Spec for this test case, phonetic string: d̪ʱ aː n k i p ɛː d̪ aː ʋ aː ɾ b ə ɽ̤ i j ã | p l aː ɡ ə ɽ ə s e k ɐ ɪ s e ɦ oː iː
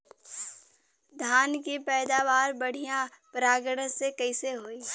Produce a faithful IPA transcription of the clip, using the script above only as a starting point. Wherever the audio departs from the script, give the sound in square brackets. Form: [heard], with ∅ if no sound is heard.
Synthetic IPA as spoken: d̪ʱ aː n k i p ɛː d̪ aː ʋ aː ɾ b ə ɽ̤ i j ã | p [ɾ] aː ɡ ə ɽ ə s e k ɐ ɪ s e ɦ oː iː